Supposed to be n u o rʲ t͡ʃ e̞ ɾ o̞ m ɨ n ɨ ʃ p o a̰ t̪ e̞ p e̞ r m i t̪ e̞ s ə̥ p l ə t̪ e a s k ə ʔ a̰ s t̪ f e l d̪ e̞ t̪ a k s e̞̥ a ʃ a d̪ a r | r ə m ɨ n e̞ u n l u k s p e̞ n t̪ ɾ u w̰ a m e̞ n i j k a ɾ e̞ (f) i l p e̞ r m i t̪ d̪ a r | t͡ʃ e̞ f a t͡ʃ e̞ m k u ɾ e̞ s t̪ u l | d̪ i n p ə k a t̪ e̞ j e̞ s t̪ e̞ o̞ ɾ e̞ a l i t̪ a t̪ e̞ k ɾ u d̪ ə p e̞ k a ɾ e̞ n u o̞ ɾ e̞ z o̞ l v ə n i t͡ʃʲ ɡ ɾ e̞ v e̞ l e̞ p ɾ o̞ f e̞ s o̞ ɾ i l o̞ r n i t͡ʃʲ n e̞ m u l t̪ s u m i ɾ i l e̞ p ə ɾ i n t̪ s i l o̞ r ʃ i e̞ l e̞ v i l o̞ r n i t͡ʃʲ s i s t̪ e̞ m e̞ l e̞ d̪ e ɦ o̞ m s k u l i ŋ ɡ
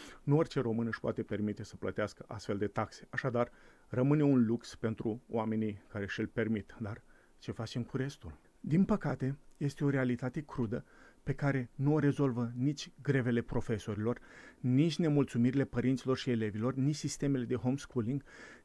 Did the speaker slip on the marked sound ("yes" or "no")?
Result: yes